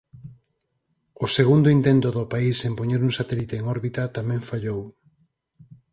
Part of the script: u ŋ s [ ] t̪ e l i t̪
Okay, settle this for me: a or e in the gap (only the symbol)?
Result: a